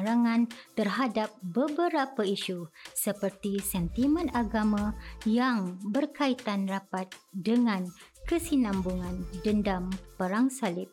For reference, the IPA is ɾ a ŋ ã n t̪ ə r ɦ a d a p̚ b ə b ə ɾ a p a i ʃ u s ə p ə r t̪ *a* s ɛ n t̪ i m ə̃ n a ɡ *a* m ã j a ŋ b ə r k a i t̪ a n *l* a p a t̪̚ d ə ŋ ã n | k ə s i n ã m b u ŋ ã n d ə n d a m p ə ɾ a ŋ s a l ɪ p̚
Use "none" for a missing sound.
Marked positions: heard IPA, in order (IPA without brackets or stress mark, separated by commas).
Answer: i, a, r